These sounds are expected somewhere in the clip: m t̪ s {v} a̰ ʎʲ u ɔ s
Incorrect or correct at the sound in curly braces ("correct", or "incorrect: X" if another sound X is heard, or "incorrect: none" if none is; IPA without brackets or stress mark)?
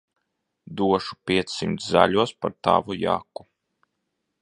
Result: incorrect: z